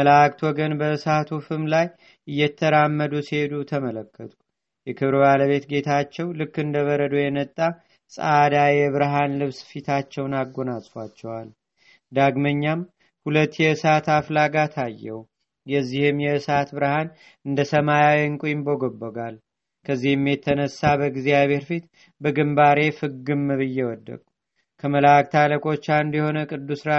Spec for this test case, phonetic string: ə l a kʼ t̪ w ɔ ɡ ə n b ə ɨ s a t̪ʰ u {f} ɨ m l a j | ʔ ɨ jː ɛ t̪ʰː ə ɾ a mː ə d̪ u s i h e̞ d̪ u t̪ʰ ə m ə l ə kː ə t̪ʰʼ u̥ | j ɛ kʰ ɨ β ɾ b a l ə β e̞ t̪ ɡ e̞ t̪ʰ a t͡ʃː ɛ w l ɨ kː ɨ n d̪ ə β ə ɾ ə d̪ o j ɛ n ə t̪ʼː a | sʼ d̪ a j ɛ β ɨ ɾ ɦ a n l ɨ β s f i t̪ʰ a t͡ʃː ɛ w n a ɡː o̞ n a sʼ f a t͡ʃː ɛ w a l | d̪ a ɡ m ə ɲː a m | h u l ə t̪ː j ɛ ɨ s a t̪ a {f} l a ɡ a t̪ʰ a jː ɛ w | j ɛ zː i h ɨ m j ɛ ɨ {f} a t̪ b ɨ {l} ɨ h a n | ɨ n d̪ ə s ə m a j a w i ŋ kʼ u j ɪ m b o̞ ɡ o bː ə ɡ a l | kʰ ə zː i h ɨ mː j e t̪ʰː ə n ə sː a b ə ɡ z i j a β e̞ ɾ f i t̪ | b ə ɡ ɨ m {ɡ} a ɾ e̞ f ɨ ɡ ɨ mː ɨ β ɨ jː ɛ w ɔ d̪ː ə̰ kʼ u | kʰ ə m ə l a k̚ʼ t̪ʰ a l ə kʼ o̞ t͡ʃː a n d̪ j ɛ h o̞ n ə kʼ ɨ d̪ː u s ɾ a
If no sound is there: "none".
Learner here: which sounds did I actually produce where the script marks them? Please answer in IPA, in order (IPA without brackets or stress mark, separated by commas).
f, f, s, ɾ, b